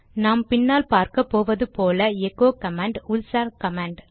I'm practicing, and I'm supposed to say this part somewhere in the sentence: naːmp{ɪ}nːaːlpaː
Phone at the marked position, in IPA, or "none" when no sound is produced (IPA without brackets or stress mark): ɪ